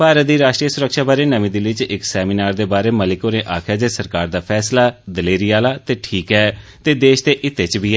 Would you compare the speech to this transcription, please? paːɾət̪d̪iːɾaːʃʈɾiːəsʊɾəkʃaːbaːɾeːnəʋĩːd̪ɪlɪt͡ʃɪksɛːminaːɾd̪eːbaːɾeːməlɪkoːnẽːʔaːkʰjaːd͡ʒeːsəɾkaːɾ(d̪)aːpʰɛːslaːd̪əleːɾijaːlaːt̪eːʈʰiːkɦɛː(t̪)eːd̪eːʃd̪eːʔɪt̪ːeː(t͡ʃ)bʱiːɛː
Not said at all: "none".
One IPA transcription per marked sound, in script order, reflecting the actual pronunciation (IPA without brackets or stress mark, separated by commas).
d̪, t̪, t͡ʃ